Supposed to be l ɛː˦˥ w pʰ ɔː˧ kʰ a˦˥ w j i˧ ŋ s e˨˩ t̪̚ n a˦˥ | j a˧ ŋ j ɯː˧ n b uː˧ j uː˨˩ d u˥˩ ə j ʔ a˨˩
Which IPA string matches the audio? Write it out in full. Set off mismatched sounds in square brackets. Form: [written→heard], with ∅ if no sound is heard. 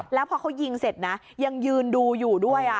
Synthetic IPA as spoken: l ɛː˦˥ w pʰ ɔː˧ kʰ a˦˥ w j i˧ ŋ s e˨˩ t̪̚ n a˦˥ | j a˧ ŋ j ɯː˧ n [b→d] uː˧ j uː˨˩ d u˥˩ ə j ʔ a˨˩